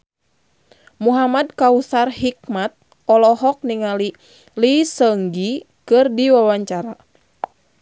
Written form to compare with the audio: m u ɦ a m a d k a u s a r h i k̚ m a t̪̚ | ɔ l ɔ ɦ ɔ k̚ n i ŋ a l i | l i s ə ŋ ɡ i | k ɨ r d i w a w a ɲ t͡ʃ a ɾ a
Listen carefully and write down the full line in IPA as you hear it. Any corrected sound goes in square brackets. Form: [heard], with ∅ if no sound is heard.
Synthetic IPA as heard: m u ɦ a m a d k a u s a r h i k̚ m a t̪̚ | ɔ l ɔ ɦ ɔ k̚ n i ŋ a l i | l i s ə ŋ ɡ i | k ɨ r d i w a w a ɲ t͡ʃ a ɾ a